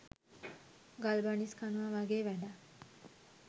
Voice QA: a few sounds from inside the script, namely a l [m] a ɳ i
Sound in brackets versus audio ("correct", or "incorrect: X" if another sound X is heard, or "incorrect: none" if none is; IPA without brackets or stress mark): incorrect: b